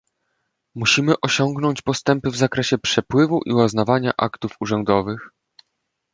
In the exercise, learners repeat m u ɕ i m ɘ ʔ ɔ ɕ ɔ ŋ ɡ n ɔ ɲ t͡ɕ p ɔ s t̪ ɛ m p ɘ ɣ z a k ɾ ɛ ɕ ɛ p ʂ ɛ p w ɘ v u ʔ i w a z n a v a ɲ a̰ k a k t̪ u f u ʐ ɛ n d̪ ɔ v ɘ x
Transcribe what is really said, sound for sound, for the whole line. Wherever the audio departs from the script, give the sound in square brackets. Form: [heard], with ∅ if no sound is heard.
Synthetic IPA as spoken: m u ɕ i m ɘ ʔ ɔ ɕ ɔ ŋ ɡ n ɔ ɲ t͡ɕ p ɔ s t̪ ɛ m p ɘ [v] z a k ɾ ɛ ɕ ɛ p ʂ ɛ p w ɘ v u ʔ i w a z n a v a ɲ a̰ [ʔ] a k t̪ u f u ʐ ɛ n d̪ ɔ v ɘ x